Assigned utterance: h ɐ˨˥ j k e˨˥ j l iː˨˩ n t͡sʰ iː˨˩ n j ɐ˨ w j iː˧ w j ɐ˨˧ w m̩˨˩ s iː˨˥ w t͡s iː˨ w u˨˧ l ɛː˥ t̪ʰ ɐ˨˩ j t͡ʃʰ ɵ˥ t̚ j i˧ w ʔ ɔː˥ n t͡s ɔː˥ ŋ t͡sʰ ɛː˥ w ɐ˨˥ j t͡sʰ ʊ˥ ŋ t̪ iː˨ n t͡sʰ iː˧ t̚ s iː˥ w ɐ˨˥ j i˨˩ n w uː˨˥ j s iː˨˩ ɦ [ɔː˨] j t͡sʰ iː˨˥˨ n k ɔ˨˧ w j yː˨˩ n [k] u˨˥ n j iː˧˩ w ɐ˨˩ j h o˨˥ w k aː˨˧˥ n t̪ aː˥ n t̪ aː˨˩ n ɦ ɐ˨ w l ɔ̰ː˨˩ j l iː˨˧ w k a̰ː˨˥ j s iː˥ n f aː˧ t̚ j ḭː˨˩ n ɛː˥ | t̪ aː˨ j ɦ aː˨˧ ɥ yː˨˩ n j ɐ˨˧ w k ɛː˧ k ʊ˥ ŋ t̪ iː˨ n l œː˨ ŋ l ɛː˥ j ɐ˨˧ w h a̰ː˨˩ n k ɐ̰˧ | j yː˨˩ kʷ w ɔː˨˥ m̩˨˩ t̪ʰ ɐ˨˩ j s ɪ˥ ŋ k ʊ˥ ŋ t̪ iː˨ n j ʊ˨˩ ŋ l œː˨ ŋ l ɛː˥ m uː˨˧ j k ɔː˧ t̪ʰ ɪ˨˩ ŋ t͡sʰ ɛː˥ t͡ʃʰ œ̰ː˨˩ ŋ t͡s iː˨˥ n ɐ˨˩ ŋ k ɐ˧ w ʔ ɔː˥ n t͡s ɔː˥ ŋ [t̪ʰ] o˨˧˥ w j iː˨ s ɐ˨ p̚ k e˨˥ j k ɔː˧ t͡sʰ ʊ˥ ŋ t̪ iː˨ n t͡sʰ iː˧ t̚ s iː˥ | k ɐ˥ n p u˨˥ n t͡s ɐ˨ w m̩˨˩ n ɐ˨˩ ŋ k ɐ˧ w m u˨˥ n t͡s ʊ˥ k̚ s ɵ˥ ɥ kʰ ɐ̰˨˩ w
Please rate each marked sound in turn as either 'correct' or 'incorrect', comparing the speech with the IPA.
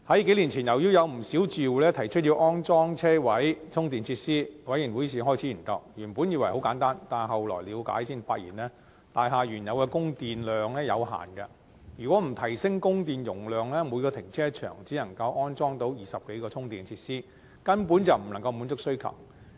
incorrect: ɔː˥, incorrect: p, incorrect: t̪

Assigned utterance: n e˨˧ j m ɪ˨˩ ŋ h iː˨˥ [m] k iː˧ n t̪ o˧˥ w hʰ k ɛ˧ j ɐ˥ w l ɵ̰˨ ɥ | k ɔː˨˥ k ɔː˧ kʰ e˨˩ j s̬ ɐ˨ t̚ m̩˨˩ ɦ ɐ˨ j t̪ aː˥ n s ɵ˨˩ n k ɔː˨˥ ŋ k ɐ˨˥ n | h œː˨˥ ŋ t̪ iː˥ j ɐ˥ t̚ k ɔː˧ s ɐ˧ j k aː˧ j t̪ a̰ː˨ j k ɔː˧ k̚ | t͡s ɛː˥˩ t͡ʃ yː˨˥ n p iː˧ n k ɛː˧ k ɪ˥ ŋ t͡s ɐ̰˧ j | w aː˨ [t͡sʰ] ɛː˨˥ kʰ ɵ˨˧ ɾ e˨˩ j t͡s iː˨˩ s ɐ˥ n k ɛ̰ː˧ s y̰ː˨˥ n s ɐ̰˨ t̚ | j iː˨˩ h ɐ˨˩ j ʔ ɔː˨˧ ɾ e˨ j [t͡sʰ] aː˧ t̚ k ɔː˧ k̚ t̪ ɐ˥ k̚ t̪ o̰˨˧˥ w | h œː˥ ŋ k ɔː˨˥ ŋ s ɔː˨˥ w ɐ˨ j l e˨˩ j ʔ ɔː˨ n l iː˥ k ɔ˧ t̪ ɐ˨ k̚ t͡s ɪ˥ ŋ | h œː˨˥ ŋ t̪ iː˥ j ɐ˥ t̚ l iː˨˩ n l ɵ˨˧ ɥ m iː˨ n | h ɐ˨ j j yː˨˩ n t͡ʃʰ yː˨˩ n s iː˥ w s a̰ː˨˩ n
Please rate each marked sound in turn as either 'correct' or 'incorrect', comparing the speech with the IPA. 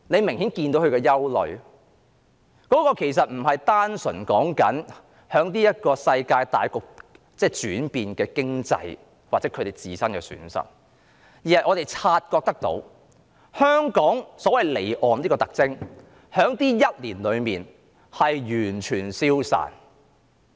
incorrect: n, incorrect: t͡s, correct

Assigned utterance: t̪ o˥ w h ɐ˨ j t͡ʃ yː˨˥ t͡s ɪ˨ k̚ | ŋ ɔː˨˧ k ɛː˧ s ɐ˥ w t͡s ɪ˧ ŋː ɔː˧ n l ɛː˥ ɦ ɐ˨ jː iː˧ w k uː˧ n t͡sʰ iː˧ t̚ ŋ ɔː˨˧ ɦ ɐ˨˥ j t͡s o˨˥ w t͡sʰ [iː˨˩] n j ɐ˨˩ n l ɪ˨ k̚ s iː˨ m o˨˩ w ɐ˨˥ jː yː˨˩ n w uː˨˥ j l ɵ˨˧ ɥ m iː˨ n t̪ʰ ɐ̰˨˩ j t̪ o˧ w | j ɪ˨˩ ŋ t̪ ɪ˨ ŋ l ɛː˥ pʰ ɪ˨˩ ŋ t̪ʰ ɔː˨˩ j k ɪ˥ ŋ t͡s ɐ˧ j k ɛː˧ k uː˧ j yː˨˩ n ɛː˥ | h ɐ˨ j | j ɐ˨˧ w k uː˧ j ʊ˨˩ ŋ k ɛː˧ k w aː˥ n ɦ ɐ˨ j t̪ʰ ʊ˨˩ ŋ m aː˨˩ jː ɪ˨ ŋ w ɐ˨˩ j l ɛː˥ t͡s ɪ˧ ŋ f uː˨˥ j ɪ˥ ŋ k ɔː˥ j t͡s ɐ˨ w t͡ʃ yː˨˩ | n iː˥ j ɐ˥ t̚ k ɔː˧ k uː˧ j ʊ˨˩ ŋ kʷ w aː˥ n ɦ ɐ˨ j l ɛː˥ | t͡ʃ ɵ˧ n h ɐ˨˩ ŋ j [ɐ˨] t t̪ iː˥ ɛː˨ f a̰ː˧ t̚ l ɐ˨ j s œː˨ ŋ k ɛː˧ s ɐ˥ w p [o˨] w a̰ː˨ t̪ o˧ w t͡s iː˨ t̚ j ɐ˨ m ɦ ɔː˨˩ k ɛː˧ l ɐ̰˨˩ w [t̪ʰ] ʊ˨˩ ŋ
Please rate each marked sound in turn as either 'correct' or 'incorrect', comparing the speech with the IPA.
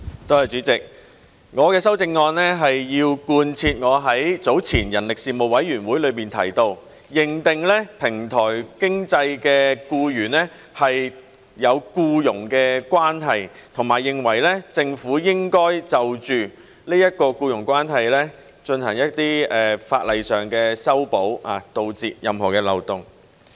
correct, incorrect: ɐ˥, incorrect: o˨˥, incorrect: t̪

